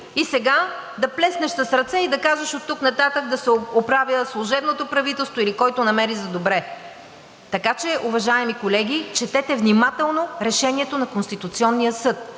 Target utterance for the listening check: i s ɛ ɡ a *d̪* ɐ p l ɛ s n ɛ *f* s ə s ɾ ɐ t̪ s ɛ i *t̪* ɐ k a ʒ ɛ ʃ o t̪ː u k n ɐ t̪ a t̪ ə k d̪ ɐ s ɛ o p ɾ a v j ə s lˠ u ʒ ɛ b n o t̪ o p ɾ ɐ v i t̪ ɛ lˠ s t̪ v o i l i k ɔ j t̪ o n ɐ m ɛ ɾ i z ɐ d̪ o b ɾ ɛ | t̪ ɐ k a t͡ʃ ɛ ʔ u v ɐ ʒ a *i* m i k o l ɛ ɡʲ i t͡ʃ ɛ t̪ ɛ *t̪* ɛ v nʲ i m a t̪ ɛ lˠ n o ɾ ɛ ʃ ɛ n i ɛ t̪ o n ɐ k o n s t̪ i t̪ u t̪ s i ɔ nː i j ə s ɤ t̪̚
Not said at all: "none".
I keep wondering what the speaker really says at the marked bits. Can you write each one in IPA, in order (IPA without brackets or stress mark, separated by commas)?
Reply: d̪, ʃ, d̪, ɛ, t̪